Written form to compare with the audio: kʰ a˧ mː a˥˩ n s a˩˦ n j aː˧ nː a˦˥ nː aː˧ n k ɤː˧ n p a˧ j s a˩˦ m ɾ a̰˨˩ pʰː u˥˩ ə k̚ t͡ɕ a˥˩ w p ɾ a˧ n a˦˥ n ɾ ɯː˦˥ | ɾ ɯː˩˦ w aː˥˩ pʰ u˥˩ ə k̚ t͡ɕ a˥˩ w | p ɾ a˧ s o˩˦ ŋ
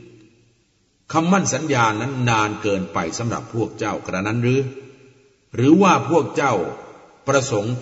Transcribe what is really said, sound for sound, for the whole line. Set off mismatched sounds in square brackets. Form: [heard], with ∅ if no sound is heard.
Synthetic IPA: kʰ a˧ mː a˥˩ n s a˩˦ n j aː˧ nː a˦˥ nː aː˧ n k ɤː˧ n p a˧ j s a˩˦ m ɾ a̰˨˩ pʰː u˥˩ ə k̚ t͡ɕ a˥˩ w [k] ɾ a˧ n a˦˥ n ɾ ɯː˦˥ | ɾ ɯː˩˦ w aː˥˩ pʰ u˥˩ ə k̚ t͡ɕ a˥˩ w | p ɾ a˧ s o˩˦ ŋ